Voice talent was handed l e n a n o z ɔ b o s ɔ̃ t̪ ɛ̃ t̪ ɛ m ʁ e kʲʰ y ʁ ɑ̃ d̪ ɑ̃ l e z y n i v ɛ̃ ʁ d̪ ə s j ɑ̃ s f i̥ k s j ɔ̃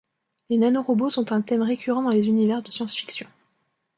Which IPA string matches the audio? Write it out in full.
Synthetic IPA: l e n a n o ʁ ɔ b o s ɔ̃ t̪ ɛ̃ t̪ ɛ m ʁ e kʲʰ y ʁ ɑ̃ d̪ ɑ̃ l e z y n i v ɛ ʁ d̪ ə s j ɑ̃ s f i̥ k s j ɔ̃